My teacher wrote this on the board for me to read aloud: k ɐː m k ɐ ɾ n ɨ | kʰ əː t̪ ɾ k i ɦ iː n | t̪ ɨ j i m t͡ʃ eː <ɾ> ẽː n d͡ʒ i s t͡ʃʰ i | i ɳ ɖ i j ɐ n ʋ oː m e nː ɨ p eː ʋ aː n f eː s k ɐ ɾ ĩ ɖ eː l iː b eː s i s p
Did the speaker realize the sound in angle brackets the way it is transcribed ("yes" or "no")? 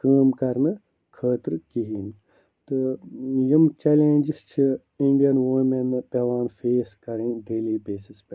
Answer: no